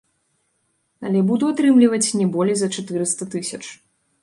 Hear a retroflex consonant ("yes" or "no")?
yes